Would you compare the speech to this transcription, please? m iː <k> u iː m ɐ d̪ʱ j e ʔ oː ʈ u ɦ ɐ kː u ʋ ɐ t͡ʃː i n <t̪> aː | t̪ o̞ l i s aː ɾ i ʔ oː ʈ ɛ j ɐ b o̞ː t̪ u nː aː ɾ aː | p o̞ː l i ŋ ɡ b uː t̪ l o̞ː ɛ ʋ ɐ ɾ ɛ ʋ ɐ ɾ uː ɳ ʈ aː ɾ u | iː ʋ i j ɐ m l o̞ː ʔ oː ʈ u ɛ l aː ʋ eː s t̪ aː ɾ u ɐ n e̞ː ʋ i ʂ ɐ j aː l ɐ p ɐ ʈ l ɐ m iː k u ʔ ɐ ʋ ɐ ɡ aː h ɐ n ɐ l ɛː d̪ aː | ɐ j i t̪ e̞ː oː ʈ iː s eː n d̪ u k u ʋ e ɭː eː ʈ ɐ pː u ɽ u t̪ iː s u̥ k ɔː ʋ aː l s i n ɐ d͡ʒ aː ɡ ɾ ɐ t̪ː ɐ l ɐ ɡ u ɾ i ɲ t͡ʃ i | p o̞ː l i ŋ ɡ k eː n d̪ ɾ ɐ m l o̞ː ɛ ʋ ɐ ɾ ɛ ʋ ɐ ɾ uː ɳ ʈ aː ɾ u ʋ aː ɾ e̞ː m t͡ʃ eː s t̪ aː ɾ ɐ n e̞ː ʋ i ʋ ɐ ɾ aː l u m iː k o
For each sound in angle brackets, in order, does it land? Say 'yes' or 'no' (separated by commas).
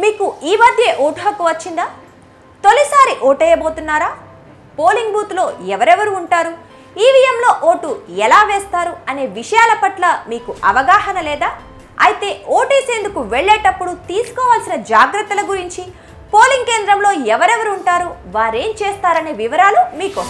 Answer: yes, no